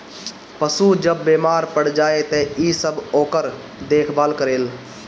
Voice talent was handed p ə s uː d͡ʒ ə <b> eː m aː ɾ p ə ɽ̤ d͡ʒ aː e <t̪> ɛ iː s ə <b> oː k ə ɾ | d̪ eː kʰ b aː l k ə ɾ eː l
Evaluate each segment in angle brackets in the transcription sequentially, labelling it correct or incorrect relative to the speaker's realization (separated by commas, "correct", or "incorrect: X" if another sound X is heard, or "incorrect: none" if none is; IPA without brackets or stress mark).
incorrect: bː, correct, correct